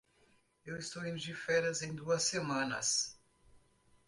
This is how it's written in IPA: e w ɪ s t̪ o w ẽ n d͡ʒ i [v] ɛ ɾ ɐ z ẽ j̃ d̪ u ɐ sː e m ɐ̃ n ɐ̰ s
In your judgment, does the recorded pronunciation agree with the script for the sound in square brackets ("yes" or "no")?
no